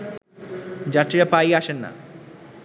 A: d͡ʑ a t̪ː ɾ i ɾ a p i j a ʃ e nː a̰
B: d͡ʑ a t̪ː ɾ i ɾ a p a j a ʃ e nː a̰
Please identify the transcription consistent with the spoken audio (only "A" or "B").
B